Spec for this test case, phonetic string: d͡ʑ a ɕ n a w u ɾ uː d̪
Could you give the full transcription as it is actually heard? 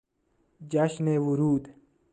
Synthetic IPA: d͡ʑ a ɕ n e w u ɾ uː d̪